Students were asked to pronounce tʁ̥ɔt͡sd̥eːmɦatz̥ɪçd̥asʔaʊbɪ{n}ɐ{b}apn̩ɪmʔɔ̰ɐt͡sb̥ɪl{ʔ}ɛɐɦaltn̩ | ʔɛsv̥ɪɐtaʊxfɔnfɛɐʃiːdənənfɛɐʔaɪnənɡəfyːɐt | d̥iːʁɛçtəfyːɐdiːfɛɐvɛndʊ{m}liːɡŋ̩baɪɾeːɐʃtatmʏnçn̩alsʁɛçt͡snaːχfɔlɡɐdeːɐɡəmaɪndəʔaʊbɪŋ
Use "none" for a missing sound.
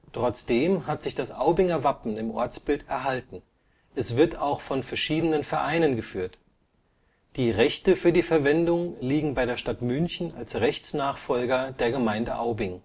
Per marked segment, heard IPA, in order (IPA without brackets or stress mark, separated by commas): ŋ, v, t, ŋ